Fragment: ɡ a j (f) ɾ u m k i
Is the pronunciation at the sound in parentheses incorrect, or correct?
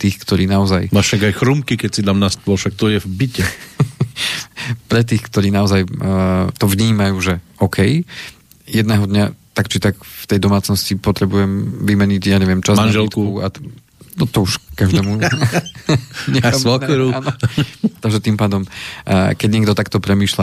incorrect